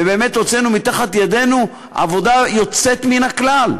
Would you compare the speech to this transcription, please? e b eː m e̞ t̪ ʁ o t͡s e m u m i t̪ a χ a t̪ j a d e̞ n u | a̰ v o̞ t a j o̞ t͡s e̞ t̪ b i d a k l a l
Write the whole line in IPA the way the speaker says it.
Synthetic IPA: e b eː m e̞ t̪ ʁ o t͡s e n u m i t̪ a χ a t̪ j a d e̞ n u | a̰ v o̞ d a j o̞ t͡s e̞ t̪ m i n a k l a l